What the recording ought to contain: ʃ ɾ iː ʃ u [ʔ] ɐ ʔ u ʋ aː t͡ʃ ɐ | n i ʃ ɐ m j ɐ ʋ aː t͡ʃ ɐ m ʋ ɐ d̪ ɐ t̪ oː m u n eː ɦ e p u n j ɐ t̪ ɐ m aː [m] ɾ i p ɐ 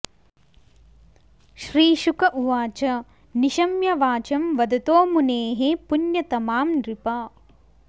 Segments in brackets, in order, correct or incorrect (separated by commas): incorrect, correct